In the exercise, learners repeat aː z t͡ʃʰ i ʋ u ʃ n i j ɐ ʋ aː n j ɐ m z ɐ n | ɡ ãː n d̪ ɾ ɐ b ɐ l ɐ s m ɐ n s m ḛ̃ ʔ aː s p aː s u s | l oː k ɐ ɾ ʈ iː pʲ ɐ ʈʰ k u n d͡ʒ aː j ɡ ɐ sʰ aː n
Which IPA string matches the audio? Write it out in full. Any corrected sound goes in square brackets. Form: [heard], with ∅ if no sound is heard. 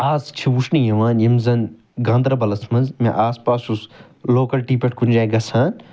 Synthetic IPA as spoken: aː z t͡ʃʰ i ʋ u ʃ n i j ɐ ʋ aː n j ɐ m z ɐ n | ɡ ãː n d̪ ɾ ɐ b ɐ l ɐ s m ɐ n [z] m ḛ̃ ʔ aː s p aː s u s | l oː k ɐ [l] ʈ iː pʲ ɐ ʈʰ k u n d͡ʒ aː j ɡ ɐ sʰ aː n